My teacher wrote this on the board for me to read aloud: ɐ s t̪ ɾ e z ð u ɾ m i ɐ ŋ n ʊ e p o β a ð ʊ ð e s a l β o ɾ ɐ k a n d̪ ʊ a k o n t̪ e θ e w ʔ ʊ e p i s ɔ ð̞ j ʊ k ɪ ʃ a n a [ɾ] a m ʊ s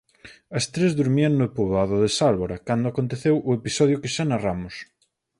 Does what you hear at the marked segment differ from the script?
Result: yes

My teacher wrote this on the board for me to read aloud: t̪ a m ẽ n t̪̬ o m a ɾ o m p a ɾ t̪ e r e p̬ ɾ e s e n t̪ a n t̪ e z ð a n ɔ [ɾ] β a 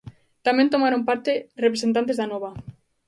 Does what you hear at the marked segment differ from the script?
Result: yes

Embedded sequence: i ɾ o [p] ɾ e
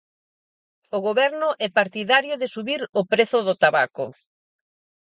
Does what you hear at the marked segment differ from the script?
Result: no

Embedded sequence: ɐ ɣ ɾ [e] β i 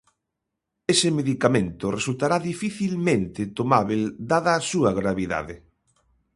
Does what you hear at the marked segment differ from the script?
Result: yes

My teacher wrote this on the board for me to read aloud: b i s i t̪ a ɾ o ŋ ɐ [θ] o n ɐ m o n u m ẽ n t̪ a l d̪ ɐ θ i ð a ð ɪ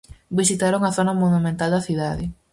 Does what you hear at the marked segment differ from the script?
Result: no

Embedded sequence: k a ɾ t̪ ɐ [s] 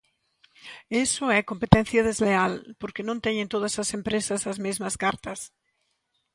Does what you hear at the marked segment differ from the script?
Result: no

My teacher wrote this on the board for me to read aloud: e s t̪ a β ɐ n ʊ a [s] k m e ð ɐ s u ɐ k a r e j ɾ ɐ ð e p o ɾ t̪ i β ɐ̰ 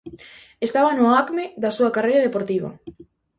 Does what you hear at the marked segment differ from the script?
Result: yes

